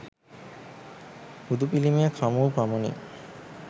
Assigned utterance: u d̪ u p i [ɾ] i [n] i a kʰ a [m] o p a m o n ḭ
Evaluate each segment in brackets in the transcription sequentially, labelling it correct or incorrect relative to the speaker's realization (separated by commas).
incorrect, incorrect, correct